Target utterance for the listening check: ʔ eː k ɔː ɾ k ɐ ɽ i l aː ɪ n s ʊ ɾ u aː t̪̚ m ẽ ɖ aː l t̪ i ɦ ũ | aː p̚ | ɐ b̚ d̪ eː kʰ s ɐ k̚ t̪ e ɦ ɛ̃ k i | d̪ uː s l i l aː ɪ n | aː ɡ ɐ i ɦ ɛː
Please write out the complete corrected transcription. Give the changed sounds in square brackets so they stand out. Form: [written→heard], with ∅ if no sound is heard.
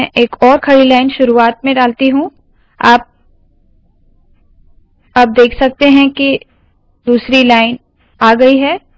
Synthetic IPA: ʔ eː k ɔː ɾ [k→kʰ] ɐ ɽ i l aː ɪ n [s→ʃ] ʊ ɾ u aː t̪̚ m ẽ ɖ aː l t̪ i ɦ ũ | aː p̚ | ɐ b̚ d̪ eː kʰ s ɐ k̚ t̪ e ɦ ɛ̃ k i | d̪ uː s [l→ɾ] i l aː ɪ n | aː ɡ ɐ i ɦ ɛː